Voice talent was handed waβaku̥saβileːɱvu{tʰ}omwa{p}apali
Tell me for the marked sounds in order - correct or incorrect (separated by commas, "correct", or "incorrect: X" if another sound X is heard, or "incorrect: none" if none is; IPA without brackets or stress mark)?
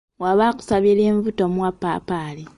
incorrect: t, correct